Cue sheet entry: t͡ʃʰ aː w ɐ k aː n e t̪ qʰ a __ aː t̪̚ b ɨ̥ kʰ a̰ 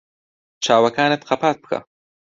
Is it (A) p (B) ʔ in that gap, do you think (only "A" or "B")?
A